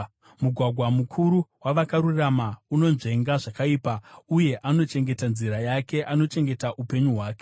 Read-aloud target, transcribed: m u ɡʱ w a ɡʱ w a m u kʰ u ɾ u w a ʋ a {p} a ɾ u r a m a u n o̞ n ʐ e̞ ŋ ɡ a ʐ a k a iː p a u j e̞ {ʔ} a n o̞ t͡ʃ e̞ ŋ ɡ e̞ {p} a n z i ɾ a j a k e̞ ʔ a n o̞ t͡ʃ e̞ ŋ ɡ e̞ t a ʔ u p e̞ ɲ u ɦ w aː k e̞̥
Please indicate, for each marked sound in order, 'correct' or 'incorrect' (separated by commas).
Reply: incorrect, correct, incorrect